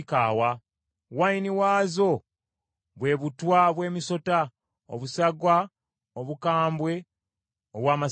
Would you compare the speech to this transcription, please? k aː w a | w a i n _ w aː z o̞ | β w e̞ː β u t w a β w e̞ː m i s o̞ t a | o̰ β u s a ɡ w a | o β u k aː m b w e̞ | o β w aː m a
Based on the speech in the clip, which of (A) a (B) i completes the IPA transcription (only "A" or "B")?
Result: B